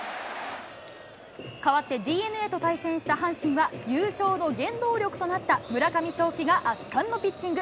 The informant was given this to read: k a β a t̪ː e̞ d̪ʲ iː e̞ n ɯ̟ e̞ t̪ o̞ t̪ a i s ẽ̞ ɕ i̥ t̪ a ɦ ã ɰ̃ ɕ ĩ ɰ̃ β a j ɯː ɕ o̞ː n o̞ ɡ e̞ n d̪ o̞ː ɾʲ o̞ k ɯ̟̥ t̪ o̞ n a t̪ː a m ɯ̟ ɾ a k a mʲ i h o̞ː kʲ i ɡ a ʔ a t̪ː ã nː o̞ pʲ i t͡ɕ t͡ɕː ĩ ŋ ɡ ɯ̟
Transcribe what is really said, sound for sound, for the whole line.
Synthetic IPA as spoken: k a β a t̪ː e̞ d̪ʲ iː e̞ n ɯ̟ e̞ t̪ o̞ t̪ a i s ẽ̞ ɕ i̥ t̪ a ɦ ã ɰ̃ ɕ ĩ ɰ̃ β a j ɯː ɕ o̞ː n o̞ ɡ ẽ̞ n d̪ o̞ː ɾʲ o̞ k ɯ̟̥ t̪ o̞ n a t̪ː a m ɯ̟ ɾ a k a mʲ i ɕ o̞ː kʲ i ɡ a ʔ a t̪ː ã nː o̞ pʲ i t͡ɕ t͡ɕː ĩ ŋ ɡ ɯ̟